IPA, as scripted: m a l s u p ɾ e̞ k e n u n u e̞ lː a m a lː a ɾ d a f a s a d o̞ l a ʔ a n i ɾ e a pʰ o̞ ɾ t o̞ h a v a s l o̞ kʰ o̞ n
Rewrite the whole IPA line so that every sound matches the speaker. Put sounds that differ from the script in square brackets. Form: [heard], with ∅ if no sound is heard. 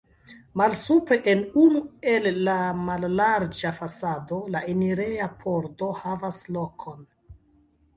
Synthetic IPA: m a l s u p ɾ e̞ [ʔ] e n u n u e̞ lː a m a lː a ɾ [d͡ʒ] a f a s a d o̞ l a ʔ [e] n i ɾ e a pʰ o̞ ɾ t o̞ h a v a s l o̞ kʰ o̞ n

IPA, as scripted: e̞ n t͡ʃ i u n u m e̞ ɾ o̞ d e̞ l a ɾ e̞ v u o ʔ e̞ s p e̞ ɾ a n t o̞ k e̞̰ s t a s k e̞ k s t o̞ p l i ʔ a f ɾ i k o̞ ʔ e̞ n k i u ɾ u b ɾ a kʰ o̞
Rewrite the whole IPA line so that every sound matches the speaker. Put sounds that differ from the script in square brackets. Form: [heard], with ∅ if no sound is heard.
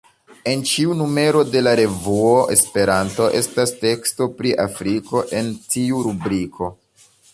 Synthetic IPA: e̞ n t͡ʃ i u n u m e̞ ɾ o̞ d e̞ l a ɾ e̞ v u o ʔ e̞ s p e̞ ɾ a n t o̞ [ʔ] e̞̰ s t a s [t] e̞ k s t o̞ p [ɾ] i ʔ a f ɾ i k o̞ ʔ e̞ n [t] i u ɾ u b ɾ [i] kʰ o̞

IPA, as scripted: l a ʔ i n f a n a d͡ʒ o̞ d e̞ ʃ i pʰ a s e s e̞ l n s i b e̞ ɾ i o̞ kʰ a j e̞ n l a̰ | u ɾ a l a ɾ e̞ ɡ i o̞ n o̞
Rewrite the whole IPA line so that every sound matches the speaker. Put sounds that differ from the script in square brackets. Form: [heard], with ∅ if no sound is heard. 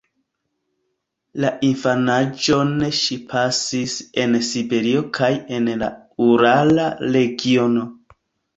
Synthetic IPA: l a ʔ i n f a n a d͡ʒ o̞ [n] e̞ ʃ i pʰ a s [i] s e̞ [∅] n s i b e̞ ɾ i o̞ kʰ a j e̞ n l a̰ | u ɾ a l a ɾ e̞ ɡ i o̞ n o̞

